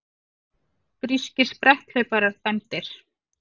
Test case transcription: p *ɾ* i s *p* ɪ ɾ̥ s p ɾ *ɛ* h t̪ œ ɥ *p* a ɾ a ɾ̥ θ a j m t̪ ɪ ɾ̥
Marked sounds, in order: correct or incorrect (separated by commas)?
correct, incorrect, correct, correct